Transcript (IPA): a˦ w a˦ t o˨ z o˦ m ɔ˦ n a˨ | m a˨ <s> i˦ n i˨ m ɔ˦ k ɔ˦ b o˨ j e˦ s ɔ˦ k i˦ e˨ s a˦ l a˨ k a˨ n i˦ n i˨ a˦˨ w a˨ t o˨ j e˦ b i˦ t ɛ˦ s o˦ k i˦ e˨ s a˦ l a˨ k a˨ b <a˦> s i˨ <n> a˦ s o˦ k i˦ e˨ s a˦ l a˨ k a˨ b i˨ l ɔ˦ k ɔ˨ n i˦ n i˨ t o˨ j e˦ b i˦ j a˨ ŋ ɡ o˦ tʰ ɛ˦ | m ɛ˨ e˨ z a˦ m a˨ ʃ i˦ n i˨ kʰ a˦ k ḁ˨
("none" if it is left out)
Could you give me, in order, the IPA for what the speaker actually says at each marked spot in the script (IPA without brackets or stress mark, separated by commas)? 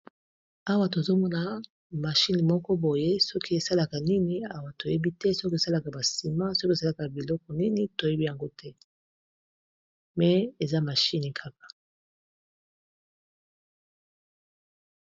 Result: ʃ, a˨, m